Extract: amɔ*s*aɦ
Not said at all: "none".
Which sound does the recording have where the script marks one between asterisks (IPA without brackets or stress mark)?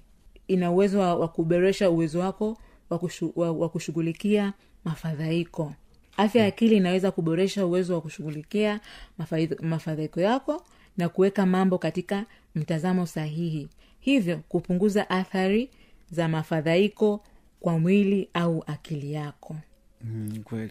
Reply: s